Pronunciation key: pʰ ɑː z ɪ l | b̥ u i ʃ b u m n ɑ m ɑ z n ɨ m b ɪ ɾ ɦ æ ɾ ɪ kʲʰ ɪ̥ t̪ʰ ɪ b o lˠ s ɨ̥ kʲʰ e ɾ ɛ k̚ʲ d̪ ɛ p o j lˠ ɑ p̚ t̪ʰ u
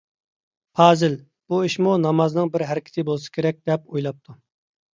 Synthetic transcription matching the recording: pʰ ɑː z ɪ l | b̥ u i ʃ m u n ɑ m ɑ z n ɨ ŋ b ɪ ɾ ɦ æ ɾ ɪ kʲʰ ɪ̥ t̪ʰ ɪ b o lˠ s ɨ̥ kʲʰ e ɾ ɛ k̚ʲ d̪ ɛ p o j lˠ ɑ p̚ t̪ʰ u